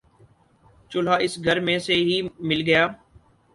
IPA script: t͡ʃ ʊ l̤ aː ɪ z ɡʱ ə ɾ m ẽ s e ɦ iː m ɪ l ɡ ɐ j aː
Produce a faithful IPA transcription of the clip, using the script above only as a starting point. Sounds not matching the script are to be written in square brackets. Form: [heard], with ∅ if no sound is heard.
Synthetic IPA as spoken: t͡ʃ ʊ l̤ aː ɪ [s] ɡʱ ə ɾ m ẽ s e ɦ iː m ɪ l ɡ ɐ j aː